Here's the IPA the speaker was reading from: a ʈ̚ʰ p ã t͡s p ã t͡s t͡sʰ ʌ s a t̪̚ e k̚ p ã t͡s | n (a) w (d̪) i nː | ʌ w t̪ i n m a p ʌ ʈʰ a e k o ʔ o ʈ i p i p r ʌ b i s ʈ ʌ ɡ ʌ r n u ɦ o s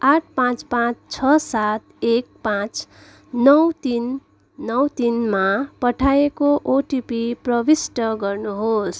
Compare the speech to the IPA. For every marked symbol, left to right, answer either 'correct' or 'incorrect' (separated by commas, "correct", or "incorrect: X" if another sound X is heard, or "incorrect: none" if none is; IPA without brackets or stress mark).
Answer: incorrect: ʌ, incorrect: t̪